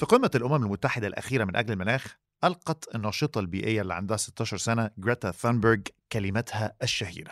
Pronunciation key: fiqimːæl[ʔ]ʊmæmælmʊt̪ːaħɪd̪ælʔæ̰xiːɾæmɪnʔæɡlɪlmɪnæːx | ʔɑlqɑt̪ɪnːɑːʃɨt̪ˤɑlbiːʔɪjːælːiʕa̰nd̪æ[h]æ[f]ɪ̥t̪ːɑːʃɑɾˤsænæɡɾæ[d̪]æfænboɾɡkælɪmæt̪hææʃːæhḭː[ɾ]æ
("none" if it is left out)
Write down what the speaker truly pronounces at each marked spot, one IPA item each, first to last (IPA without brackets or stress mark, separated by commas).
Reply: ʔ, h, s, t̪, ɾ